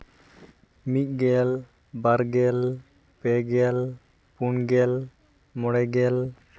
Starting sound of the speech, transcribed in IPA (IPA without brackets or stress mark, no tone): m